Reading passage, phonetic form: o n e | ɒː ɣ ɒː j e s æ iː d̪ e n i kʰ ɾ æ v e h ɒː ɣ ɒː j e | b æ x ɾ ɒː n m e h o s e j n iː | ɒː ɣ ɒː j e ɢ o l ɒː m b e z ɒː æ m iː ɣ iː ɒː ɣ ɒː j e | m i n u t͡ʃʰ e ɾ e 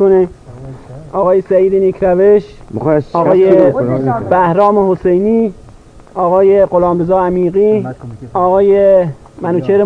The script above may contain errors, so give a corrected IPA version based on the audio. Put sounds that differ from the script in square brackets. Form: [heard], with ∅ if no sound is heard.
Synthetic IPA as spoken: o n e | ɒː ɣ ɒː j e s æ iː d̪ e n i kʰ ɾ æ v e [ʃ] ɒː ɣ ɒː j e | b æ [h] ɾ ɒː [∅] m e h o s e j n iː | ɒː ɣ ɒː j e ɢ o l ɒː m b e z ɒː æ m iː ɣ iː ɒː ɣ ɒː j e | m [æ] n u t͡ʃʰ e ɾ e